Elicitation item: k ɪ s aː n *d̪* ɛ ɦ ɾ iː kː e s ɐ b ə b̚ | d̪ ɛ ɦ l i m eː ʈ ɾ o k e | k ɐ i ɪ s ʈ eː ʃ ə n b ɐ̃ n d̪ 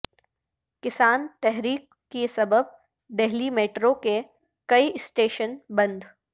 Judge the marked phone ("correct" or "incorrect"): incorrect